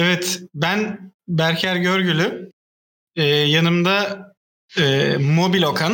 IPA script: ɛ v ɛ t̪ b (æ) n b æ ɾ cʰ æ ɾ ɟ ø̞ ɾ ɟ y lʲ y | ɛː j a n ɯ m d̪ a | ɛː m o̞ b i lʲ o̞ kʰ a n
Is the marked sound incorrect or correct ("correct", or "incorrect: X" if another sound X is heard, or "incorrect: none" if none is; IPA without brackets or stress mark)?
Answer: correct